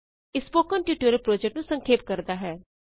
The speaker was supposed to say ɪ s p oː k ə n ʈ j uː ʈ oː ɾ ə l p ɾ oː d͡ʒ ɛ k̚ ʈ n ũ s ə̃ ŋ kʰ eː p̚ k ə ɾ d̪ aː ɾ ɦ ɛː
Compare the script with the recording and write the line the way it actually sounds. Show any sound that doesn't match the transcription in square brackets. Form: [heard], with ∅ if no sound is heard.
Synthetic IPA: ɪ s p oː k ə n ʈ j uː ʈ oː ɾ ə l p ɾ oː d͡ʒ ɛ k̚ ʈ n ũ s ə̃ ŋ kʰ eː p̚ k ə ɾ d̪ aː [∅] ɦ ɛː